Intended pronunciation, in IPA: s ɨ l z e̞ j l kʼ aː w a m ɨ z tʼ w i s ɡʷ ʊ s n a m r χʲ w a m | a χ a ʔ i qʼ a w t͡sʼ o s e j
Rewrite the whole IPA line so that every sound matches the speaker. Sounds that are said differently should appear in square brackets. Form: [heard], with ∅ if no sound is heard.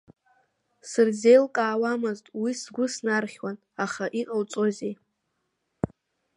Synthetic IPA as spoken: s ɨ [r] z e̞ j l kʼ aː w a m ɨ z tʼ w i s ɡʷ ʊ s n a [∅] r χʲ w a [n] | a χ a ʔ i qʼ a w t͡sʼ o [z] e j